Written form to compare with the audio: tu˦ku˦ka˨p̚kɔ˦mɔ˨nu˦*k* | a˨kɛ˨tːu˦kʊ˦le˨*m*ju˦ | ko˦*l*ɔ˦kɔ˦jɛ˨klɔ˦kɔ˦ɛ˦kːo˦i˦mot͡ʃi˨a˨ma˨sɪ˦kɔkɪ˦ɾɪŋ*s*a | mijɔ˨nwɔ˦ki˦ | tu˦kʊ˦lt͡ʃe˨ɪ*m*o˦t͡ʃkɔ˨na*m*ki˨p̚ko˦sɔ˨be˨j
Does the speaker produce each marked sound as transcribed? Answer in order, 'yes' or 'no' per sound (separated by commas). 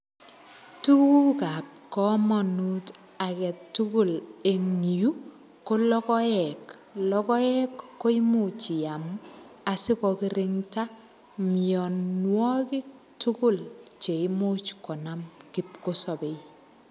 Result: no, no, yes, no, yes, yes